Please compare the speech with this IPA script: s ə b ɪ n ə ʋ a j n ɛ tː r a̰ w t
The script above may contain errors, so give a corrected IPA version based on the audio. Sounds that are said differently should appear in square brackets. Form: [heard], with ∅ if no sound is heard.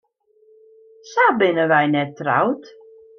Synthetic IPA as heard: s [a] b ɪ n ə ʋ [ɛ] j n ɛ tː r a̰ w t

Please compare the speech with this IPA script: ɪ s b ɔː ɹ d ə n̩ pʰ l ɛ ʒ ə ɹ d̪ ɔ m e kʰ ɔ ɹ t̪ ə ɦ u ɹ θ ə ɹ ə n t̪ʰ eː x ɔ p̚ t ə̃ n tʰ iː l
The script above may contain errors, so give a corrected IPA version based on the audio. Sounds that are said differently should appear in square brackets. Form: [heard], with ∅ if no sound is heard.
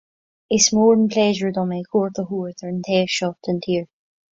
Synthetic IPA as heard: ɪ s [m] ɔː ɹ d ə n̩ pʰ l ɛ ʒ ə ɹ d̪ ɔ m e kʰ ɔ ɹ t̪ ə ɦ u ɹ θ ə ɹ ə n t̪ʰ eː [ʃ] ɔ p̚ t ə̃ n tʰ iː [ɹ]

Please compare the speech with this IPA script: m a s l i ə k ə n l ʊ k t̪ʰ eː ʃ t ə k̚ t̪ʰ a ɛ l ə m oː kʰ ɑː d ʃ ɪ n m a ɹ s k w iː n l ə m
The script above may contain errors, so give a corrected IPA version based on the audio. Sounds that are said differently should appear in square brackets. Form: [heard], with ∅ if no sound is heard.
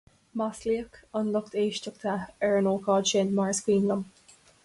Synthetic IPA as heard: m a s l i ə k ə n l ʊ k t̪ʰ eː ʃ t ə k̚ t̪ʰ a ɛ [ɹ] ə [n] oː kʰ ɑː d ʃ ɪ n m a ɹ s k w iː n l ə m

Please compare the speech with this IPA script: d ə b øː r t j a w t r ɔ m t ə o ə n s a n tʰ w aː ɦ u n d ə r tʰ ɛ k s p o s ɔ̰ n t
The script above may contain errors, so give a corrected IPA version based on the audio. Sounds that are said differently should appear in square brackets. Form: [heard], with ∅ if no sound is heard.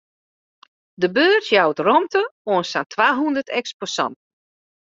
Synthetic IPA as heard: d ə b øː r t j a w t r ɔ m t ə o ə n s a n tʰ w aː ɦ u n d ə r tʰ ɛ k s p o s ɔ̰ n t

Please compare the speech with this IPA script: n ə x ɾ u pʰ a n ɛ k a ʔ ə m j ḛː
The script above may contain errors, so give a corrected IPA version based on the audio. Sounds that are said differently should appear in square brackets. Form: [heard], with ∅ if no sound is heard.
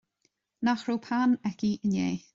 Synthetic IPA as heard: n [a] x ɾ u pʰ a n ɛ k [i] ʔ ə [n] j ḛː

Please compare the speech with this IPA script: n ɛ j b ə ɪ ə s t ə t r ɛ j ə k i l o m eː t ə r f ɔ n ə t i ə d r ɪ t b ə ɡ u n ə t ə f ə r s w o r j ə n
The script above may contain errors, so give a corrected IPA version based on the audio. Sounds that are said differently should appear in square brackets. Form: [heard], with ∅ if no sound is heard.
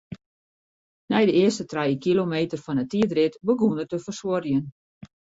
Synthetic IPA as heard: n ɛ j [d] ə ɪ ə s t ə t r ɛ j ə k i l o m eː t ə r f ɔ n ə t i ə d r ɪ t b ə ɡ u n ə t ə f ə r s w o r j ə n

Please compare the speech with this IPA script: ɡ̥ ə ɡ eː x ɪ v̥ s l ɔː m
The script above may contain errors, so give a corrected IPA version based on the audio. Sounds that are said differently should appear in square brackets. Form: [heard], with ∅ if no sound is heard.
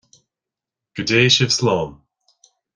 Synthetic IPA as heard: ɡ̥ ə [d] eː [ʃ] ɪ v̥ s l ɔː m

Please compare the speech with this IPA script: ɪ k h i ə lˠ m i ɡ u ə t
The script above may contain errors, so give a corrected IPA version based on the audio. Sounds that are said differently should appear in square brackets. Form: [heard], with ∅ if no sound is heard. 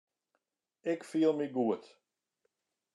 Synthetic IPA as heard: ɪ k [f] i ə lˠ m i ɡ u ə t

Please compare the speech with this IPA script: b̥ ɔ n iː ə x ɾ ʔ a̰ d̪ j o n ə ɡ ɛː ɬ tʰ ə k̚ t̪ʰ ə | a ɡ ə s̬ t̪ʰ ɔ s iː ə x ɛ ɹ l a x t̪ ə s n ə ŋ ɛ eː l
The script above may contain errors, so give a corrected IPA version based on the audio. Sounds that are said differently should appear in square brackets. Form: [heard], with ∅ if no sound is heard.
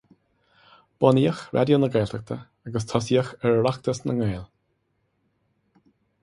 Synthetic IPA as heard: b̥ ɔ n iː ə x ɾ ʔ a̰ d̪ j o n ə ɡ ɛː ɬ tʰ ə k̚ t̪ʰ ə | a ɡ ə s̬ t̪ʰ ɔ s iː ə x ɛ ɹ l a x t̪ ə s n ə ŋ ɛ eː l

